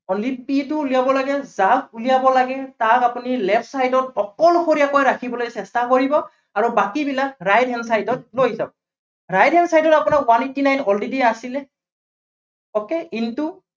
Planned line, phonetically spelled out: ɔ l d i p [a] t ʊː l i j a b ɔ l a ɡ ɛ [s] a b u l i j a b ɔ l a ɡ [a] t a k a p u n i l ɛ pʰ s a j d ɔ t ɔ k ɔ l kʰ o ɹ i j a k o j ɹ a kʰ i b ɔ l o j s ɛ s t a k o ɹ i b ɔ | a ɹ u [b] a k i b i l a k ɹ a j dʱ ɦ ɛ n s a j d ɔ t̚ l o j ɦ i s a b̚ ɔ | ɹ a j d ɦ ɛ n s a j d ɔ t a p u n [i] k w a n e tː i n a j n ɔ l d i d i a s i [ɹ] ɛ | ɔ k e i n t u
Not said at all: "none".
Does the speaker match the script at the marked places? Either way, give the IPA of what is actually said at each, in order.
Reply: i, z, ɛ, b, a, l

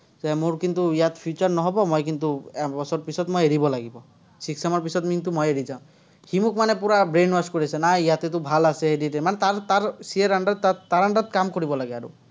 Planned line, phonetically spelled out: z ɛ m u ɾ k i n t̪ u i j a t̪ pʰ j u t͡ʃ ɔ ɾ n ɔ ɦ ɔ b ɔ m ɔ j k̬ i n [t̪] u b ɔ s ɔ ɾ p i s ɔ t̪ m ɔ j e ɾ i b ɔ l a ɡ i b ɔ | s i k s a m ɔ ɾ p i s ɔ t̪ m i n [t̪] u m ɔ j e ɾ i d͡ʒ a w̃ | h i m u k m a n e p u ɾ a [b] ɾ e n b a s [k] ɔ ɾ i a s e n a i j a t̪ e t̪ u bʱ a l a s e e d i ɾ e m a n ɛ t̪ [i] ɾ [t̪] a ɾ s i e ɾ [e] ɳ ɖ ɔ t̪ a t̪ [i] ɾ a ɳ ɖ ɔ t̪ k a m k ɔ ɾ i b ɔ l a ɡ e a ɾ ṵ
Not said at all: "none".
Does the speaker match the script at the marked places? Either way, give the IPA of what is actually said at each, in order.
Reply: t̪, t̪, b, k, a, t̪, a, a

